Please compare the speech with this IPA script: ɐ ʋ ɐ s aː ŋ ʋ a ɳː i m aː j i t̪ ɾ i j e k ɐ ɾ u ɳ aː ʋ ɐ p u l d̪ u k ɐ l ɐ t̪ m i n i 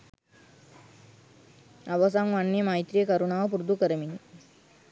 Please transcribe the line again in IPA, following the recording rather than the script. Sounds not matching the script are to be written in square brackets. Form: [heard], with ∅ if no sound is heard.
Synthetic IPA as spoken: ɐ ʋ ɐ s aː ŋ ʋ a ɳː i m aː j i t̪ ɾ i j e k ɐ ɾ u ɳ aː ʋ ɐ p u [ɾ] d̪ u k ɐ [ɾ] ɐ [∅] m i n i